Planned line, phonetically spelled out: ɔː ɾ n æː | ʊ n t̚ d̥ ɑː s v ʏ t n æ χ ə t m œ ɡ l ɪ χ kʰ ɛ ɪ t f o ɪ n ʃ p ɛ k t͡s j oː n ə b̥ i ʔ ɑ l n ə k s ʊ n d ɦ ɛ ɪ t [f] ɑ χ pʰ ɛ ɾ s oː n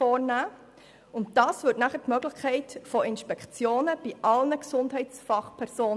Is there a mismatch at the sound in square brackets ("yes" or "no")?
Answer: no